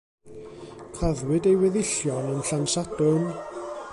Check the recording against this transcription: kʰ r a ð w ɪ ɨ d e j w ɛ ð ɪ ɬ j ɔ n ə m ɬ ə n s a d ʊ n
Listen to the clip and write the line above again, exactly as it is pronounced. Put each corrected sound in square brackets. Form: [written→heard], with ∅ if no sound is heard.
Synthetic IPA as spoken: kʰ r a ð w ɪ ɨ d e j w ɛ ð ɪ ɬ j ɔ n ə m ɬ [ə→a] n s a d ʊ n